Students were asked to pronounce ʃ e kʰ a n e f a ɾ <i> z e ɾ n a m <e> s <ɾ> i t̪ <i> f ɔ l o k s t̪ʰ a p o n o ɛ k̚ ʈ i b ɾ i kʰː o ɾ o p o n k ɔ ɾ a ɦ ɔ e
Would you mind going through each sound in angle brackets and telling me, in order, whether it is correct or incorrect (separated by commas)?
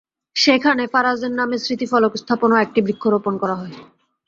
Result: incorrect, correct, correct, correct